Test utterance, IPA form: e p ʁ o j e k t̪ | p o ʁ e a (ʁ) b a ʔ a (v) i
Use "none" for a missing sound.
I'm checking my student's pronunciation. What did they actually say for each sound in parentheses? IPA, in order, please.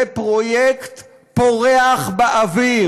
χ, v

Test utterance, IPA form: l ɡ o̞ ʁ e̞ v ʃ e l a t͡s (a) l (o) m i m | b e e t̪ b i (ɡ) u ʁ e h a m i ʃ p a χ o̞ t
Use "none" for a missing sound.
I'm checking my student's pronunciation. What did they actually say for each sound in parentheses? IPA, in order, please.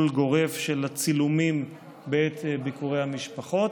i, u, k

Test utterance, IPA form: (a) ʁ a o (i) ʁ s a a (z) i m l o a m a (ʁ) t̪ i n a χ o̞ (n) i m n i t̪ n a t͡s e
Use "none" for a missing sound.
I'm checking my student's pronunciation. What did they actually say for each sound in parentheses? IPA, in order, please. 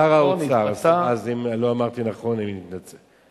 a, a, z, ʁ, n

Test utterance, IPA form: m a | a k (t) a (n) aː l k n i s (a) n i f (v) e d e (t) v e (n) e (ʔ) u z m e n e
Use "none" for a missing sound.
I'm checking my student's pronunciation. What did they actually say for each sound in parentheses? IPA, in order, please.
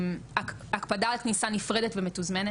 p, d, a, ʁ, t, m, t

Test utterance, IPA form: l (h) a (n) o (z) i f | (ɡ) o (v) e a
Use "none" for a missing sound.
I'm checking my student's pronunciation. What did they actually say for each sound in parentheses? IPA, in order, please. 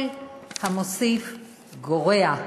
h, m, s, ɡ, ʁ

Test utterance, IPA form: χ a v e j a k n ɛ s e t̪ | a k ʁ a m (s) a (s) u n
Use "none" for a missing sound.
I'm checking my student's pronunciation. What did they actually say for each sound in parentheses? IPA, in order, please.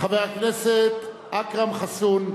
χ, s

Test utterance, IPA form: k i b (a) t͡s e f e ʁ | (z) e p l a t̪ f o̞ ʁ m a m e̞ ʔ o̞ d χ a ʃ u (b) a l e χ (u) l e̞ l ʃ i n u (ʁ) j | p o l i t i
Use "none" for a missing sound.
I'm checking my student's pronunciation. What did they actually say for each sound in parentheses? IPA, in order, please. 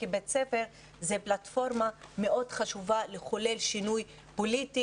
e, z, v, o, none

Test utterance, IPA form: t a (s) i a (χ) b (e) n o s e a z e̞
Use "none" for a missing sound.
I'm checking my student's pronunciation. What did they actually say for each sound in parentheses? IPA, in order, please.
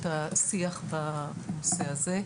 s, χ, a

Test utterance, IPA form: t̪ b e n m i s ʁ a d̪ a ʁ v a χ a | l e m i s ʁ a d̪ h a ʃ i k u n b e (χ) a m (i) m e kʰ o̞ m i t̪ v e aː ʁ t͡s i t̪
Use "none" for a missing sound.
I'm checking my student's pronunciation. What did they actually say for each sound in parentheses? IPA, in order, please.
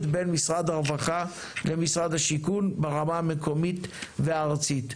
ʁ, a

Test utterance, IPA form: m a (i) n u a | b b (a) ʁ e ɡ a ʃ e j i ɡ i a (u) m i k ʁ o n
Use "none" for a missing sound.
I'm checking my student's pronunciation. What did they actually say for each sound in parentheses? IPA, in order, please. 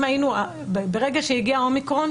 i, e, o

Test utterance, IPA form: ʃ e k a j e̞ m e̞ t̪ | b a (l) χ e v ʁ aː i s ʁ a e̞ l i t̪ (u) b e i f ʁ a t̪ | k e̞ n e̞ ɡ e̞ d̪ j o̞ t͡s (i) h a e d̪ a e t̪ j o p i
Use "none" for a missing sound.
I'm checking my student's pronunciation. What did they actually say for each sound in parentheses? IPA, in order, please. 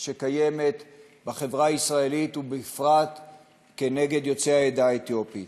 none, u, e

